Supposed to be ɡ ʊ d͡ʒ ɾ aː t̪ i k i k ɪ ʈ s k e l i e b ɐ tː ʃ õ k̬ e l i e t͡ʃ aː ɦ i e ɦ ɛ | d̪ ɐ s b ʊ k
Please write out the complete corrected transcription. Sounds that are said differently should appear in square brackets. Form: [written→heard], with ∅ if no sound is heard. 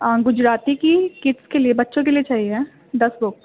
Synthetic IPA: ɡ ʊ d͡ʒ ɾ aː t̪ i k i k ɪ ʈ s k e l i e b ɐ tː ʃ õ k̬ e l i e t͡ʃ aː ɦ i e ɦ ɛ | d̪ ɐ s b ʊ k